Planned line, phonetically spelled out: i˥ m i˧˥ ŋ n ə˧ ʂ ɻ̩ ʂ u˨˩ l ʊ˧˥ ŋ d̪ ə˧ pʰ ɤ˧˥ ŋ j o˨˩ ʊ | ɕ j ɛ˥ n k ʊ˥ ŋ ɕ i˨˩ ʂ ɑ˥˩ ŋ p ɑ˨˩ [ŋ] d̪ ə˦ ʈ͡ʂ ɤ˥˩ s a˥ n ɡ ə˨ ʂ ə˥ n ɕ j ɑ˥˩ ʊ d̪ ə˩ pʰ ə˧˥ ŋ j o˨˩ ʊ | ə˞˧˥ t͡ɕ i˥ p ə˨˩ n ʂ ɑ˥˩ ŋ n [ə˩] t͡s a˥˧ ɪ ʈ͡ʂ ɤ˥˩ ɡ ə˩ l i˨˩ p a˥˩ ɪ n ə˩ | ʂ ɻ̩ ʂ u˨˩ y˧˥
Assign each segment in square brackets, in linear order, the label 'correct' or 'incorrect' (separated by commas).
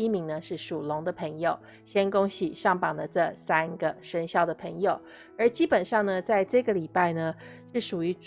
correct, correct